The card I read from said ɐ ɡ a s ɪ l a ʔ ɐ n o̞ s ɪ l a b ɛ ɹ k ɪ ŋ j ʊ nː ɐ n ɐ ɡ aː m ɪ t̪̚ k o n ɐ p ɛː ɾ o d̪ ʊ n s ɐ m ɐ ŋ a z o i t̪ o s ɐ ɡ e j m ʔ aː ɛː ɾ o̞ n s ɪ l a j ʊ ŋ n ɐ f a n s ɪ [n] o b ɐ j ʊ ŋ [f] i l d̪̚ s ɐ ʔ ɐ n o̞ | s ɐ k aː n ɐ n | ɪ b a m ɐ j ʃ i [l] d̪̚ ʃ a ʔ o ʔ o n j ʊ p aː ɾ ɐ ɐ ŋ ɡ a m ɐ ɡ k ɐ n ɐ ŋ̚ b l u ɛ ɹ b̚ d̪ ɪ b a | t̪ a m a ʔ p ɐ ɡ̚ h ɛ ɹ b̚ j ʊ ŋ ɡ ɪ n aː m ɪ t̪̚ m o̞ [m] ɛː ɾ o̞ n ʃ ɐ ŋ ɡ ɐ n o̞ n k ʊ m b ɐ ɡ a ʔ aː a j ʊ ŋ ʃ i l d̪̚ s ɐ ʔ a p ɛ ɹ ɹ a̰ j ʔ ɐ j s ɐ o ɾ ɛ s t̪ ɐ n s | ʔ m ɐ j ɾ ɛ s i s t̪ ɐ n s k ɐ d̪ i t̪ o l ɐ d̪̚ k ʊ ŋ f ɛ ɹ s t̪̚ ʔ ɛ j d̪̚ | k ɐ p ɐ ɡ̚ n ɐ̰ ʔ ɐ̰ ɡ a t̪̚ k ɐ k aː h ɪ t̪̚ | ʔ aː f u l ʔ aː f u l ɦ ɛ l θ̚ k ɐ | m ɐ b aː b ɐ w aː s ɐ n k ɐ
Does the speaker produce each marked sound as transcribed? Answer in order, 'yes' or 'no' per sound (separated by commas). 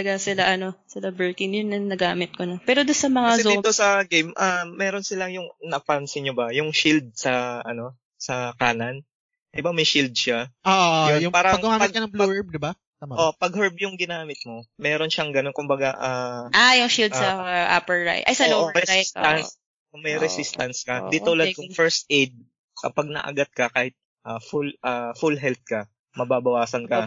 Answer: no, no, yes, yes